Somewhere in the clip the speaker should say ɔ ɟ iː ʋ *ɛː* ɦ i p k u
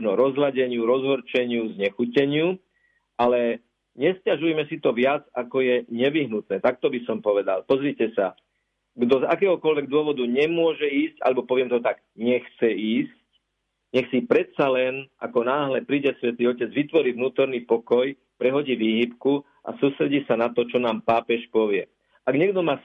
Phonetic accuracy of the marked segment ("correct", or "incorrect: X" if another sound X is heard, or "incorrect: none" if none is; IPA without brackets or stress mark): incorrect: iː